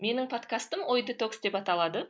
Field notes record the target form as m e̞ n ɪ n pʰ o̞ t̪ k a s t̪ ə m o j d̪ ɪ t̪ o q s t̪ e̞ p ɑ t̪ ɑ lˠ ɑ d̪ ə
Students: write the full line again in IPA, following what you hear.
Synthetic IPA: m e̞ n ɪ ŋ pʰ o̞ t̪ k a s t̪ ə m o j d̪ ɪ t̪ o k s d̪ e̞ p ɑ t̪ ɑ lˠ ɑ d̪ ə